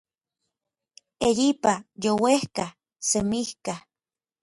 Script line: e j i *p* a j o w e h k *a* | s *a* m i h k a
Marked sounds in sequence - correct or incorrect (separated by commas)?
correct, correct, incorrect